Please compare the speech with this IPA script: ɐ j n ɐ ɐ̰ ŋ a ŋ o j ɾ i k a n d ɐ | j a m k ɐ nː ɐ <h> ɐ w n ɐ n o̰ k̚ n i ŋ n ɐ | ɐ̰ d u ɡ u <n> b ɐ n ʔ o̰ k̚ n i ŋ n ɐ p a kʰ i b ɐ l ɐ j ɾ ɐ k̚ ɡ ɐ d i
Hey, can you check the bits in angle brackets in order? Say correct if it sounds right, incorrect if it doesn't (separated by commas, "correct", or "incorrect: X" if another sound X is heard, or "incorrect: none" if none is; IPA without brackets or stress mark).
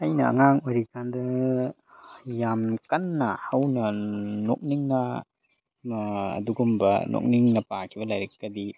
correct, incorrect: m